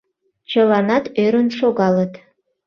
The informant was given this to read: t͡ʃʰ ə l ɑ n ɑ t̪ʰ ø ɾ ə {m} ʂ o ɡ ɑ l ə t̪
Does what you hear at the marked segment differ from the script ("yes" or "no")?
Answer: yes